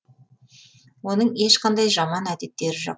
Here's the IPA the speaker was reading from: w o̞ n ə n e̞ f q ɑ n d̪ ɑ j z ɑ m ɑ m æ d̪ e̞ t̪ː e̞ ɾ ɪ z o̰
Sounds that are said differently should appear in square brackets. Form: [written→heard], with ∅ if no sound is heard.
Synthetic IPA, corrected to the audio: w o̞ n ə [n→ɴ] e̞ [f→ʃ] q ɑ n d̪ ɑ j [z→ʒ] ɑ m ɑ [m→n] æ d̪ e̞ t̪ː e̞ ɾ ɪ [z→ʒ] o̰

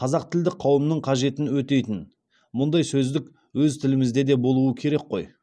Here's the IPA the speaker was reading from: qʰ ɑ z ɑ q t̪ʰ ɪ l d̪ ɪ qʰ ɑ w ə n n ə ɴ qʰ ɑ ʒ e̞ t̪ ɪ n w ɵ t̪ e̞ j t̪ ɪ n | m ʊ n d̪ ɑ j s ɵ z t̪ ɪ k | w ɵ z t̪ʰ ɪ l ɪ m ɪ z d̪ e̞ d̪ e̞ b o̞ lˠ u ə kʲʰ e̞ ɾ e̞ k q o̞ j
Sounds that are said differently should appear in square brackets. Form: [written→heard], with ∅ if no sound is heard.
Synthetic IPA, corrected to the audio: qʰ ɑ z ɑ q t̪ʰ ɪ l d̪ ɪ qʰ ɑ w ə [n→m] n ə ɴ qʰ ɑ ʒ e̞ t̪ ɪ n w ɵ t̪ e̞ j t̪ ɪ n | m ʊ n d̪ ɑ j s ɵ z [t̪→d̪] ɪ k | w ɵ z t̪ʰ ɪ l ɪ m ɪ z d̪ e̞ d̪ e̞ b o̞ lˠ u ə kʲʰ e̞ ɾ e̞ k q o̞ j

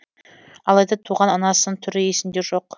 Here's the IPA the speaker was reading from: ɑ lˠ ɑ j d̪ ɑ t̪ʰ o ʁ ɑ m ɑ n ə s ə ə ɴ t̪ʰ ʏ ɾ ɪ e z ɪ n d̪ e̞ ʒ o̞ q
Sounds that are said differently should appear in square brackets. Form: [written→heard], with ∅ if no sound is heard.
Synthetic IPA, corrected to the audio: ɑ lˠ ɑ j d̪ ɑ t̪ʰ [o→u] ʁ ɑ [m→n] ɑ n [ə→ɑ] s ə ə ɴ t̪ʰ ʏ ɾ ɪ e [z→s] ɪ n d̪ e̞ ʒ o̞ q

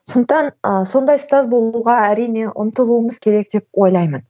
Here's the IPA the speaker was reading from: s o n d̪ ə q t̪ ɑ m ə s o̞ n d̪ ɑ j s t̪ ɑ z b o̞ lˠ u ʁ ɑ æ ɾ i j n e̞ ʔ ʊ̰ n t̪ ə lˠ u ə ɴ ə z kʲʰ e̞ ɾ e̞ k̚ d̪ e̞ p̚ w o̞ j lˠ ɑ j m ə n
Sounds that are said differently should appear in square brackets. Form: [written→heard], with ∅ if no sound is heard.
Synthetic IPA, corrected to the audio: s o n d̪ ə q t̪ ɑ [m→n] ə s o̞ n d̪ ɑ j s t̪ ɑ z b o̞ lˠ u ʁ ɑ æ ɾ i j n e̞ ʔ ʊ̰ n t̪ ə lˠ u ə [ɴ→m] ə z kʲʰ e̞ ɾ e̞ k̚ d̪ e̞ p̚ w o̞ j lˠ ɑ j m ə n

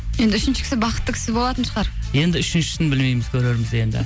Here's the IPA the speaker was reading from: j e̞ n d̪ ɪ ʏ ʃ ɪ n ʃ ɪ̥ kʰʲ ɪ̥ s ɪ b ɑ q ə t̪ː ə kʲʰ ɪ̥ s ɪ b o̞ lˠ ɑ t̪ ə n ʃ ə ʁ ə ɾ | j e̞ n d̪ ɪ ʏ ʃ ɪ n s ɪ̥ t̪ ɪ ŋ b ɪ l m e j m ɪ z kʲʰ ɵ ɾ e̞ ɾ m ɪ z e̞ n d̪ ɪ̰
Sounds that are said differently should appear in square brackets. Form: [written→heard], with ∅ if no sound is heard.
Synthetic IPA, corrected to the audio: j e̞ n d̪ ɪ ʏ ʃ ɪ n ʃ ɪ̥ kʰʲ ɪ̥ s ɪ b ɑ q ə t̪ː ə kʲʰ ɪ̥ s ɪ b o̞ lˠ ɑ t̪ ə n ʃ ə ʁ [ə→ɑ] ɾ | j e̞ n d̪ ɪ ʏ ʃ ɪ n [s→ʃ] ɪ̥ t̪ ɪ [ŋ→n] b ɪ l m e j m ɪ z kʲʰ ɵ ɾ e̞ ɾ m ɪ z e̞ n d̪ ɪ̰

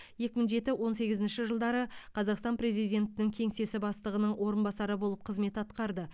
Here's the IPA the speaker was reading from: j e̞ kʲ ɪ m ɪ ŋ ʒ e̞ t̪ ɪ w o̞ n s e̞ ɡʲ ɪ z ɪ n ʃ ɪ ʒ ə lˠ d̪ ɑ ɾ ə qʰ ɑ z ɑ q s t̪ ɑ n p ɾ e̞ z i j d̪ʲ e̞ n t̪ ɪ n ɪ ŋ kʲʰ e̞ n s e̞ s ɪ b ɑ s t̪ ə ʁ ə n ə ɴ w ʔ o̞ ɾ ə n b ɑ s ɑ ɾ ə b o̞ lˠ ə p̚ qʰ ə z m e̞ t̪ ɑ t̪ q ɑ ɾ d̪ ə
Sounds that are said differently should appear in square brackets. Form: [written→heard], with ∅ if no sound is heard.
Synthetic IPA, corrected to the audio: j e̞ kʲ ɪ m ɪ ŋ ʒ e̞ t̪ ɪ w o̞ n s e̞ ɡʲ ɪ z ɪ n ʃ ɪ ʒ ə lˠ d̪ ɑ ɾ ə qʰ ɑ z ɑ q s t̪ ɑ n p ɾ e̞ z i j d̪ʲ e̞ n t̪ ɪ n ɪ ŋ kʲʰ e̞ [n→ŋ] s e̞ s ɪ b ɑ s t̪ ə ʁ ə n ə ɴ w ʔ o̞ ɾ ə n b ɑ s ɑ ɾ ə b o̞ lˠ ə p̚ qʰ ə z m e̞ t̪ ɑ t̪ q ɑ ɾ d̪ ə

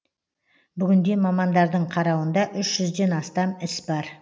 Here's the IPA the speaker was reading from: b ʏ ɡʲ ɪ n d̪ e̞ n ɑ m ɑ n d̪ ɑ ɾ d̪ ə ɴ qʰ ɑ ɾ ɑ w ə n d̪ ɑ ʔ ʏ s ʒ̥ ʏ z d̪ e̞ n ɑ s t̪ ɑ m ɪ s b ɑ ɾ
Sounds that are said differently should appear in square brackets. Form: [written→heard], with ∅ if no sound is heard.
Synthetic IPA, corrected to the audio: b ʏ ɡʲ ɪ n d̪ e̞ [n→m] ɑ m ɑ n d̪ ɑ ɾ d̪ ə ɴ qʰ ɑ ɾ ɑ w ə n d̪ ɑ ʔ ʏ [s→ʃ] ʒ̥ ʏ z d̪ e̞ n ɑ s t̪ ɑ m ɪ s b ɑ ɾ

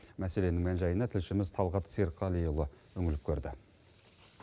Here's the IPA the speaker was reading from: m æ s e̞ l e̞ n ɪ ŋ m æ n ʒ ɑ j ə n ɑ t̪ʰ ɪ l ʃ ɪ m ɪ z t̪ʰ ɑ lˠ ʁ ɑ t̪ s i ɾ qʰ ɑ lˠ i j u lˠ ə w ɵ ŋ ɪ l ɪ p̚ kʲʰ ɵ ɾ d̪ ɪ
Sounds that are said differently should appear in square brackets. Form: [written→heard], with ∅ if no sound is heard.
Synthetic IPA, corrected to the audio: m æ s e̞ l e̞ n ɪ ŋ m æ n ʒ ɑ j ə n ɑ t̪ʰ ɪ l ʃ ɪ m ɪ z t̪ʰ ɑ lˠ ʁ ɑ t̪ s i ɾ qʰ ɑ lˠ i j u lˠ ə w ɵ ŋ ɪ l ɪ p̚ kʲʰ ɵ ɾ d̪ ɪ

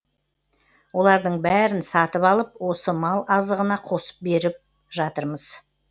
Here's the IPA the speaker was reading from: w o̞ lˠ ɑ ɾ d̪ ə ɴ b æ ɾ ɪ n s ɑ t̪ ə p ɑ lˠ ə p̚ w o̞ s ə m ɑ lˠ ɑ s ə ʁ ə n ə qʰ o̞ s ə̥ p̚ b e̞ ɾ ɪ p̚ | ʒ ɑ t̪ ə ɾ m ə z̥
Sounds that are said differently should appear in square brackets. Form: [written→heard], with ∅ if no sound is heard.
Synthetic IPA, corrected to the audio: w o̞ lˠ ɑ ɾ d̪ ə ɴ b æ ɾ ɪ n s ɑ t̪ ə p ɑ lˠ ə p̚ w o̞ s ə m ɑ lˠ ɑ [s→z] ə ʁ ə n [ə→ɑ] qʰ o̞ s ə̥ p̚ b e̞ ɾ ɪ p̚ | ʒ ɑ t̪ ə ɾ m ə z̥

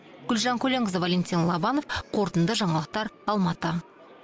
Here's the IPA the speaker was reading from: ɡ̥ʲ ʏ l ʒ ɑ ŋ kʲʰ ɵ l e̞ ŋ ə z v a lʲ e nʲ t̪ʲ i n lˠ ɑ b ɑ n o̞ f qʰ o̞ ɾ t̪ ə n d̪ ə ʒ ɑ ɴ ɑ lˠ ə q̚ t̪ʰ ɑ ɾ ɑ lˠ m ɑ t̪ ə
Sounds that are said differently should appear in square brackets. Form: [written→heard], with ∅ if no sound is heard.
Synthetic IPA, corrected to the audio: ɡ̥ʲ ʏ l ʒ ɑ ŋ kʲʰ ɵ l e̞ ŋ ə z v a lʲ e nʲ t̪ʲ i n lˠ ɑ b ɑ n o̞ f qʰ o̞ ɾ t̪ ə n d̪ ə ʒ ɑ ɴ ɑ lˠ ə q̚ [t̪ʰ→t̪] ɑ ɾ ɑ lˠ m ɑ t̪ ə

